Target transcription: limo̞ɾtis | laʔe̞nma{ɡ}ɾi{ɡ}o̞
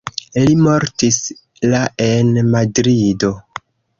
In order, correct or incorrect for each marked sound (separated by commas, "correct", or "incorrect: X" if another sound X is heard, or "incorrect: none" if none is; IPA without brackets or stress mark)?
incorrect: d, incorrect: d